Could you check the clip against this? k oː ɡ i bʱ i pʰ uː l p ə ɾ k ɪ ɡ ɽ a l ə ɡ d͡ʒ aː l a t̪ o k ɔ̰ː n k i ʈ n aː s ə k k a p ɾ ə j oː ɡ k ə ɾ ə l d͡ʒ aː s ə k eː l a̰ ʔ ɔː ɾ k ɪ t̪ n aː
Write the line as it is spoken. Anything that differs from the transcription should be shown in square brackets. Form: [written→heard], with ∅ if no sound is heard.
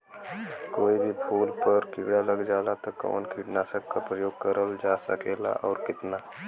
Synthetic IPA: k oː [ɡ→∅] i bʱ i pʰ uː l p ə ɾ k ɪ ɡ ɽ a l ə ɡ d͡ʒ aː l a t̪ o k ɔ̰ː n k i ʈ n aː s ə k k a p ɾ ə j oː ɡ k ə ɾ ə l d͡ʒ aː s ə k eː l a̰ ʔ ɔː ɾ k ɪ t̪ n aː